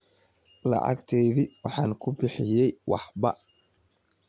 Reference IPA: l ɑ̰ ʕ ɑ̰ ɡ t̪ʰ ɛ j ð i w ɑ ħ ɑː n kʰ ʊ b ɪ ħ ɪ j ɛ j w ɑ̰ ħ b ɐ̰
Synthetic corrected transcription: l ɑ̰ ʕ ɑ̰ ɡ t̪ʰ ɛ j ð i w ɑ ħ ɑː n kʰ ʊ b ɪ ħ ɪ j ɛ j w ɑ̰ ħ b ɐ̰